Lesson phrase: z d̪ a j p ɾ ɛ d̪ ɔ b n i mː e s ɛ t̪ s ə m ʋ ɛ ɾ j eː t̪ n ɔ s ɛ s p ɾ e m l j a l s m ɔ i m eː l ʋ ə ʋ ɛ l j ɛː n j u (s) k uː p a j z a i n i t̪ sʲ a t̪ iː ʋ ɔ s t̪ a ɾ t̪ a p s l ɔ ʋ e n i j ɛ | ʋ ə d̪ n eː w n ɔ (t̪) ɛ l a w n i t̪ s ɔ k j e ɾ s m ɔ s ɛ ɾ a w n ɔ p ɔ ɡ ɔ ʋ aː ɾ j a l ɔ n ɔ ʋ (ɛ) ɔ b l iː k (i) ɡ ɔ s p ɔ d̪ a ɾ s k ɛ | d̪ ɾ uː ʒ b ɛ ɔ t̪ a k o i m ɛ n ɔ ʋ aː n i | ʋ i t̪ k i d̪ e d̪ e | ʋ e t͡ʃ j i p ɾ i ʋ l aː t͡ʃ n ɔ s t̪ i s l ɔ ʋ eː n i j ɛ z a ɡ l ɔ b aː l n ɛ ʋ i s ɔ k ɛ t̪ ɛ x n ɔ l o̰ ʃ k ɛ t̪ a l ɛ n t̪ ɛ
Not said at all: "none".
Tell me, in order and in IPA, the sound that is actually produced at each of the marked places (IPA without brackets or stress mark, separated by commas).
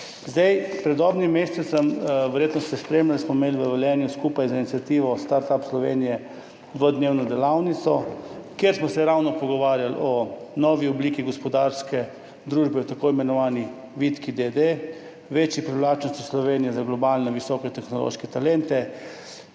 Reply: s, d̪, i, i